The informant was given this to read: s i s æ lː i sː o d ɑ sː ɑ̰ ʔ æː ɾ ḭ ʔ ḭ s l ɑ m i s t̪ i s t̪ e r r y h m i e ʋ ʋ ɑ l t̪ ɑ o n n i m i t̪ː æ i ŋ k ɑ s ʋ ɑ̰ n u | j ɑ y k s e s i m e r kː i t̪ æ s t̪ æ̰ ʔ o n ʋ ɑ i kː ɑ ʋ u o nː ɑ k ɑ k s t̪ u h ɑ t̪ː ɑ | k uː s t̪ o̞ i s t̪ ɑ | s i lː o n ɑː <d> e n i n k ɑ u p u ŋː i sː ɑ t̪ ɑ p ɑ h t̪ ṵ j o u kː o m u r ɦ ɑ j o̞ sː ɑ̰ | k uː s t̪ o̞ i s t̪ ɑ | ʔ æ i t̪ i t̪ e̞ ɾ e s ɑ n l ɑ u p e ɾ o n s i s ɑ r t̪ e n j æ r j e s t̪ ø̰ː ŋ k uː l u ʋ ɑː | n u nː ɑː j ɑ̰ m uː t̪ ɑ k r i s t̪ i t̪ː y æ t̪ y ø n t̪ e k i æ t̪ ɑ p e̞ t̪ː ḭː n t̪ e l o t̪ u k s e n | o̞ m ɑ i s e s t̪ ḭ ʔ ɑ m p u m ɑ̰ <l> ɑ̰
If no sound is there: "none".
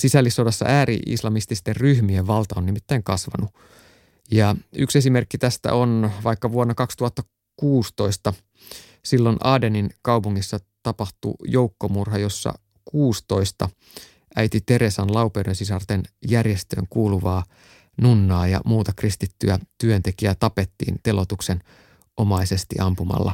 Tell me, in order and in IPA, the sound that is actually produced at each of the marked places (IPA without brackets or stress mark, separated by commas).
d, lː